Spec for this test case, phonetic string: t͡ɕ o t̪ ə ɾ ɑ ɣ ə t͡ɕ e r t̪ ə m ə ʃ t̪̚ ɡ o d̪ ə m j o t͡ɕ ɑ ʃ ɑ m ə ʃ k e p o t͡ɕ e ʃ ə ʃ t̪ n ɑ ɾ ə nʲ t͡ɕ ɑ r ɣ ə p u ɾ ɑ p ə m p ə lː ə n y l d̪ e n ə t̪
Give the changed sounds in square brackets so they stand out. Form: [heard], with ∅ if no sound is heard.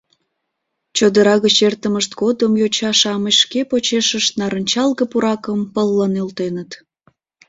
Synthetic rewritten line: t͡ɕ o [d̪] ə ɾ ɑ ɣ ə t͡ɕ e r t̪ ə m ə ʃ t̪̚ ɡ o d̪ ə m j o t͡ɕ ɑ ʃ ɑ m ə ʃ k e p o t͡ɕ e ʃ ə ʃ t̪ n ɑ ɾ ə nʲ t͡ɕ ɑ [l] ɣ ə p u ɾ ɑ [k] ə m p ə lː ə n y l [t̪] e n ə t̪